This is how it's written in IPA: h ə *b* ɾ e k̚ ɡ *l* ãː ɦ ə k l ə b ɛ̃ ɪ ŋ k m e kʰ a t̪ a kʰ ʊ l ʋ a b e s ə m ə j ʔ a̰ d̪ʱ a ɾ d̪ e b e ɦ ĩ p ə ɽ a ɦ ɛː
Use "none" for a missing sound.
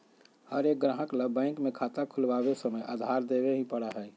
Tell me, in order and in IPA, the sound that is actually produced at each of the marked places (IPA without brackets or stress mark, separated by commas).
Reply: none, ɾ